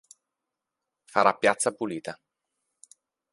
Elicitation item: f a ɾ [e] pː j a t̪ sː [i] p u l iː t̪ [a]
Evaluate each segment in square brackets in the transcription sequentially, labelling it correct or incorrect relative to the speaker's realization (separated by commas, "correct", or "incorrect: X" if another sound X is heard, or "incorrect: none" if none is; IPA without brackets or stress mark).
incorrect: a, incorrect: a, correct